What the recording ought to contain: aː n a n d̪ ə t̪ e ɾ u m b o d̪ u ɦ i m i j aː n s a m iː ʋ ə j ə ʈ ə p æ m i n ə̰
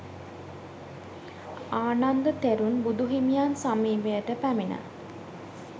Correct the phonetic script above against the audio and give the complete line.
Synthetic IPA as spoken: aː n a n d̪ ə t̪ e ɾ u n b u d̪ u ɦ i m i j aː n s a m iː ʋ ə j ə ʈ ə p æ m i n ə̰